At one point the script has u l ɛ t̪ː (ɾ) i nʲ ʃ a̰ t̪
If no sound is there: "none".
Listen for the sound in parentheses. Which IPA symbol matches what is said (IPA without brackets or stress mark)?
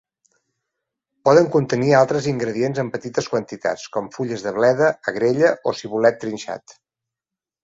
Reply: ɾ